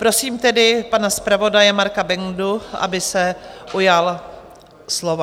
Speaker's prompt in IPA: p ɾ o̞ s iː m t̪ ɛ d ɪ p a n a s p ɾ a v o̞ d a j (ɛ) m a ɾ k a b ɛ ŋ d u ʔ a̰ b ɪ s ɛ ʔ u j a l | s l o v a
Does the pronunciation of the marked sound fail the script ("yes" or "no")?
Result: no